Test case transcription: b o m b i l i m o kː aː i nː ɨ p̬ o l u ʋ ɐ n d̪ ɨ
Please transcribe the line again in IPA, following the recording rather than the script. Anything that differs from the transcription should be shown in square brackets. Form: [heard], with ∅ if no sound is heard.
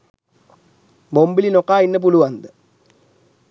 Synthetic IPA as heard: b o m b i l i [n] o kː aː i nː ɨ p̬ [u] l u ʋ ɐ n d̪ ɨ